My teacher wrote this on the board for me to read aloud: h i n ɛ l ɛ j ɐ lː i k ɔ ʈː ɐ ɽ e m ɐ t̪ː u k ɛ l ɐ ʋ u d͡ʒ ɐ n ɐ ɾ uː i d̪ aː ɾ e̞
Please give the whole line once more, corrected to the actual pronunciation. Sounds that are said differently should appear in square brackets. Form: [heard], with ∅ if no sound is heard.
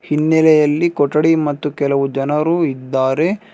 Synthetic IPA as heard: h i [nː] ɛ l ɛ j ɐ lː i k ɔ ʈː ɐ ɽ [i] m ɐ t̪ː u k ɛ l ɐ ʋ u d͡ʒ ɐ n ɐ ɾ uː i [d̪ː] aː ɾ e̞